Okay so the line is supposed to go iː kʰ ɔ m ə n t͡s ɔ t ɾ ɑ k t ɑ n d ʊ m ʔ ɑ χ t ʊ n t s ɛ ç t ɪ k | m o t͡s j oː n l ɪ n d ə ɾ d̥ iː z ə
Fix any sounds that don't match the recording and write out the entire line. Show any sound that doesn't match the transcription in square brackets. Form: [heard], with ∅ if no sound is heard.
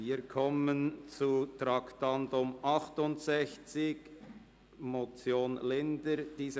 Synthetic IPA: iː kʰ ɔ m ə n t͡s [u] t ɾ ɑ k t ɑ n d ʊ m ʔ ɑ χ t ʊ n t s ɛ ç [t͡s] ɪ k | m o t͡s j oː n l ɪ n d ə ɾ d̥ iː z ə